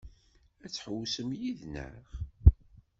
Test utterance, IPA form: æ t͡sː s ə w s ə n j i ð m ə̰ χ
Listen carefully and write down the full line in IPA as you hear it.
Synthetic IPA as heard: æ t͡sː ħ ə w s ə m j i ð n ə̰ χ